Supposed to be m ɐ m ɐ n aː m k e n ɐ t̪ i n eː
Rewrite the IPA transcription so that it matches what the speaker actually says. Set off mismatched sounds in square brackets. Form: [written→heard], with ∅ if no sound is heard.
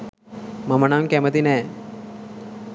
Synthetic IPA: m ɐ m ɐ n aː m k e [n→m] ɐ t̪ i n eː